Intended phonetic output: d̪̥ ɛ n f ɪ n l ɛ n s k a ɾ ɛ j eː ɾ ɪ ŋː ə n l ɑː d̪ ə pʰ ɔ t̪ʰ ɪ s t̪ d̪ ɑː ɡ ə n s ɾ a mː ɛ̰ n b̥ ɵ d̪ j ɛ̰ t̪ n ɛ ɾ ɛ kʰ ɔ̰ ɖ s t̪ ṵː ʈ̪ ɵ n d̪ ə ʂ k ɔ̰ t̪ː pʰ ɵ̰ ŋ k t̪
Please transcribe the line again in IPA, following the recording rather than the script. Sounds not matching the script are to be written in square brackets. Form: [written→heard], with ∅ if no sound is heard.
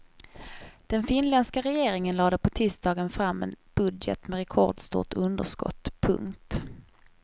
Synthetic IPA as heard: d̪̥ ɛ n f ɪ n l ɛ n s k a ɾ ɛ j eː ɾ ɪ [ŋː→ŋ] ə n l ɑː d̪ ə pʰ ɔ t̪ʰ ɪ s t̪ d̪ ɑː ɡ ə n [s→f] ɾ a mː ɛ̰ n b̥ ɵ d̪ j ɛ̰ t̪ [n→m] ɛ ɾ ɛ kʰ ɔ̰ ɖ s t̪ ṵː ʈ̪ ɵ n d̪ ə ʂ k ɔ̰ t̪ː pʰ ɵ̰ ŋ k t̪